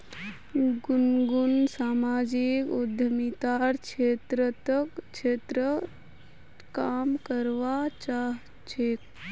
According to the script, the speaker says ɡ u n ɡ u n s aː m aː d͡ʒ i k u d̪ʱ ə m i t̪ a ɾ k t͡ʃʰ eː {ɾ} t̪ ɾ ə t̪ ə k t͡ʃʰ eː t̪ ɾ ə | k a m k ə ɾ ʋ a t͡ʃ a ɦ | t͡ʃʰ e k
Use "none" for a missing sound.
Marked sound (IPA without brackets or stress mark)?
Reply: none